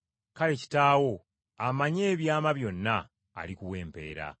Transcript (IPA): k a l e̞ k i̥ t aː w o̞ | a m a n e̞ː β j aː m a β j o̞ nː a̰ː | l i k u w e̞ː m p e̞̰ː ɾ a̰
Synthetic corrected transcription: k a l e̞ c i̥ t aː w o̞ | a m a ɲ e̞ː β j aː m a β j o̞ nː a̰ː | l i k u w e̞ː m p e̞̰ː ɾ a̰